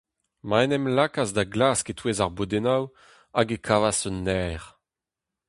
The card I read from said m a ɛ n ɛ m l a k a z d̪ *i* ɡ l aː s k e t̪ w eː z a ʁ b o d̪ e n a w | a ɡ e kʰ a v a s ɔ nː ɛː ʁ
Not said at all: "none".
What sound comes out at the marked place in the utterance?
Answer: a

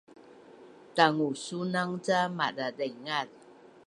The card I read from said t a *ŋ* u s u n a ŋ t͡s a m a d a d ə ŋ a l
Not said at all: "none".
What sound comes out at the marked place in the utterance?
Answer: ŋ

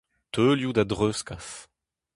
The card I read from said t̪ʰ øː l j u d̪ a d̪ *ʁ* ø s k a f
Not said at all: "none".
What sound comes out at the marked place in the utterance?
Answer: ʁ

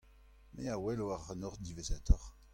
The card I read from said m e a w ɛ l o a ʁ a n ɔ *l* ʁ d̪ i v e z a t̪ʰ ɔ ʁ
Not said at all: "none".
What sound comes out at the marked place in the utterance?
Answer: none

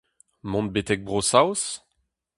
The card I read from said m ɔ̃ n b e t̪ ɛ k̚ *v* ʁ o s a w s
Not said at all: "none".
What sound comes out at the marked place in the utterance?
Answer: b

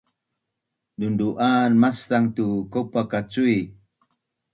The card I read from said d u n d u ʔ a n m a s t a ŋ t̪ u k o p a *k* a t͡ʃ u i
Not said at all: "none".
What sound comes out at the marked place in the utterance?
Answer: k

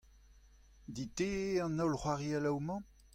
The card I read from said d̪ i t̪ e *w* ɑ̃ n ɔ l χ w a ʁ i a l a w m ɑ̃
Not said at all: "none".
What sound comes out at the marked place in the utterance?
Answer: none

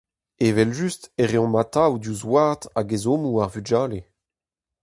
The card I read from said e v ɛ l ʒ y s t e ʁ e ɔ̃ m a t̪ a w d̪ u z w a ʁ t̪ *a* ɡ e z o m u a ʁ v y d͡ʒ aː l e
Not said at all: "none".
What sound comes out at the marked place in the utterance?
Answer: a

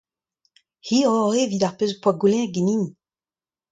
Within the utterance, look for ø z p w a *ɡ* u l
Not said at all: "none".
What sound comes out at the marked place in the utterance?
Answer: ɡ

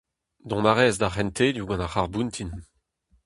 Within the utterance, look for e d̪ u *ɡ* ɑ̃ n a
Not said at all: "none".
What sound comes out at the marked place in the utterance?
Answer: ɡ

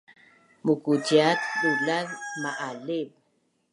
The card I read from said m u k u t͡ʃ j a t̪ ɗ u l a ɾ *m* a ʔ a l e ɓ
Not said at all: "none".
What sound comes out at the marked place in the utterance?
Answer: m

